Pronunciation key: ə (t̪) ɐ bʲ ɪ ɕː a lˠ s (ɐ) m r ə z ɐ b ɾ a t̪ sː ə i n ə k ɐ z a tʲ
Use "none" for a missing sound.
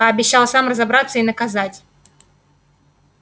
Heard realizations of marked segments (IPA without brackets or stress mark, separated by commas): none, a